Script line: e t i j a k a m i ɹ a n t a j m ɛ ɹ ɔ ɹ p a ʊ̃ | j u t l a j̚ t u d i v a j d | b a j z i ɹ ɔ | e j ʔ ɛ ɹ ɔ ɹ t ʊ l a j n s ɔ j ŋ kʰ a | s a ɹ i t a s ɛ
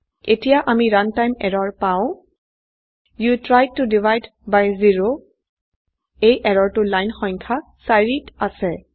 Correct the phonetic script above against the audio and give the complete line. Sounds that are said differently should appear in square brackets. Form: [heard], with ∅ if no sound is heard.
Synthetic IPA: e t i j a [ʔ] a m i ɹ a n t a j m ɛ ɹ ɔ ɹ p a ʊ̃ | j u t [ɹ] a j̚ t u d i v a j d | b a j z i ɹ [o] | e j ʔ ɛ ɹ ɔ ɹ t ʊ l a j n [x] ɔ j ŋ kʰ a | s a ɹ i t a s ɛ